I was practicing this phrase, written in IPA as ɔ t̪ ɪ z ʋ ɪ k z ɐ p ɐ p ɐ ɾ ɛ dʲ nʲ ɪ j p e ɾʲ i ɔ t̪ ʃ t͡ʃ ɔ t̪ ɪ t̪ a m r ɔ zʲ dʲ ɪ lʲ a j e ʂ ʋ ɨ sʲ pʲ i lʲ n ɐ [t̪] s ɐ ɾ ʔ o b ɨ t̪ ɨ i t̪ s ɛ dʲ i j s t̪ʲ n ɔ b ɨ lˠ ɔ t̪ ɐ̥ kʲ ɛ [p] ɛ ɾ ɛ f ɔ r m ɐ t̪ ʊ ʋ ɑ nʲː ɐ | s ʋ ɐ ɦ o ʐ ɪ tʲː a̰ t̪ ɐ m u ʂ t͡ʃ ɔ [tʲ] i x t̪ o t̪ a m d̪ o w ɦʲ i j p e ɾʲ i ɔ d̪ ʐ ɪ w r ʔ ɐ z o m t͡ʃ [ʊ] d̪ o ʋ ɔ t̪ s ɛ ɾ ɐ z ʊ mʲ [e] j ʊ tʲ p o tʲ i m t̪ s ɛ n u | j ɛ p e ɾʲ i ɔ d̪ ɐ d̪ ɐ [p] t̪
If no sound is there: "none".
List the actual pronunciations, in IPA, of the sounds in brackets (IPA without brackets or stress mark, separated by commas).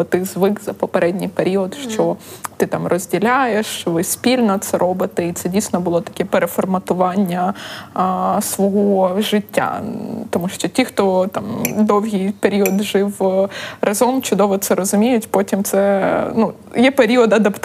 t̪, p, tʲ, ʊ, e, p